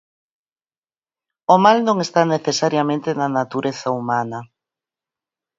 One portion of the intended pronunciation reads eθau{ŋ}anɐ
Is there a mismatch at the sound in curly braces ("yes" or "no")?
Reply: yes